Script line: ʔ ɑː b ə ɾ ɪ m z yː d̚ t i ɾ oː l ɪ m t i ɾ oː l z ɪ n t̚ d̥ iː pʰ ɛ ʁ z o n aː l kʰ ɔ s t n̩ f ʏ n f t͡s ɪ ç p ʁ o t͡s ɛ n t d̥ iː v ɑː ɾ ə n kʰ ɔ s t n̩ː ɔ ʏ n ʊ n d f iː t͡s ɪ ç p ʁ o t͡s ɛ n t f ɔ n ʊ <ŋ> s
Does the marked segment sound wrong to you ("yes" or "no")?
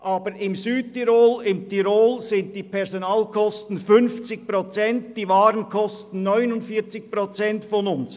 yes